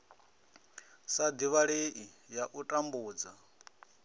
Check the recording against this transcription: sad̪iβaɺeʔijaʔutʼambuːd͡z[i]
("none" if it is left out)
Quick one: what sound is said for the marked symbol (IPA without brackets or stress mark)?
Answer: a